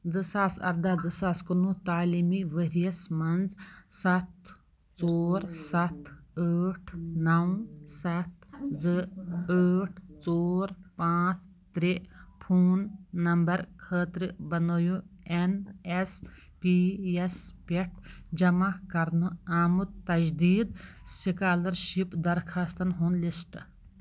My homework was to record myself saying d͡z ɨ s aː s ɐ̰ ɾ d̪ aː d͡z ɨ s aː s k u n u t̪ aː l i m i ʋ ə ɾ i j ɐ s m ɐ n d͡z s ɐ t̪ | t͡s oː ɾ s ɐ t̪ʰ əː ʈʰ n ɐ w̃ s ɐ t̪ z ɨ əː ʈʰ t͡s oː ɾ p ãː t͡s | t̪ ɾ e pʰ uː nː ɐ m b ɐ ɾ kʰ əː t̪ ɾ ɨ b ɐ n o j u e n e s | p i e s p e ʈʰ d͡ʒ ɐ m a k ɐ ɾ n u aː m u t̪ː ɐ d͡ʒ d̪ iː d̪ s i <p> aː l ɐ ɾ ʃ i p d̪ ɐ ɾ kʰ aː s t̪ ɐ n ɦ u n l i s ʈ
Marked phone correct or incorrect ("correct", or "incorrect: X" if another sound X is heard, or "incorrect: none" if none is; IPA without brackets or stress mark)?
incorrect: k